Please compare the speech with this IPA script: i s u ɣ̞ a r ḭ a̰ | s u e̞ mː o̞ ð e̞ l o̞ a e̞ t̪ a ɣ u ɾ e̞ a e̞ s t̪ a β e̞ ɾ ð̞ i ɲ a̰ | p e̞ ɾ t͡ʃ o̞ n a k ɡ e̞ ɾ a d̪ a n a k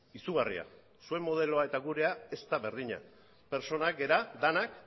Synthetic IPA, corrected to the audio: i s u ɣ̞ a r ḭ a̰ | s u e̞ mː o̞ ð e̞ l o̞ a e̞ t̪ a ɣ u ɾ e̞ a e̞ s t̪ a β e̞ ɾ ð̞ i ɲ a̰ | p e̞ ɾ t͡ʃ o̞ n a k ɡ e̞ ɾ a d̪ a n a k